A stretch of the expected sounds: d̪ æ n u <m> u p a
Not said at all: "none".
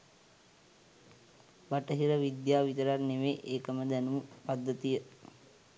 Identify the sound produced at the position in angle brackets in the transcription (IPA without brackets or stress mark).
m